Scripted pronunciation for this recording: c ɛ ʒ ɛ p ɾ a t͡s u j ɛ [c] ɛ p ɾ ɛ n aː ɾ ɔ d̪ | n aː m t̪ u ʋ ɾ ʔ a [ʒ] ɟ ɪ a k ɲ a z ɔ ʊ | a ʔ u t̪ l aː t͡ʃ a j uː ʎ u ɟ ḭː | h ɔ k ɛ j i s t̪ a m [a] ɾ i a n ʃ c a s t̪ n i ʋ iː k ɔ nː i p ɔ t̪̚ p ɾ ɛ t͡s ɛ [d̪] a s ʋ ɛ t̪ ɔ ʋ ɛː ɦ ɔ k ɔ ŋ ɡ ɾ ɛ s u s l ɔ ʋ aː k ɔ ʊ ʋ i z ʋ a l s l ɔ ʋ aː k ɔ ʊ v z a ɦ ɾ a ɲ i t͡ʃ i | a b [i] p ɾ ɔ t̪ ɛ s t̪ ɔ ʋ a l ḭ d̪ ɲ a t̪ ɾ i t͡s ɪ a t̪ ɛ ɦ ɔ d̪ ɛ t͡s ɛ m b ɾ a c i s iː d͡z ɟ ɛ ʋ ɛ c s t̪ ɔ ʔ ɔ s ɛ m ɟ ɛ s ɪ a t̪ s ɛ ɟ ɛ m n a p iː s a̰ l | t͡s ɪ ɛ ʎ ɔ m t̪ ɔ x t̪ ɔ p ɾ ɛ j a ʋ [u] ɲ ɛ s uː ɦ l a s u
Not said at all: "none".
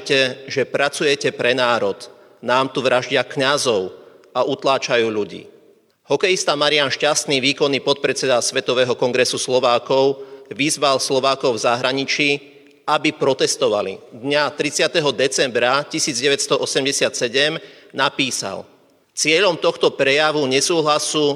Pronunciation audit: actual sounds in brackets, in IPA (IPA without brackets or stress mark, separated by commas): c, ʒ, a, d̪, i, u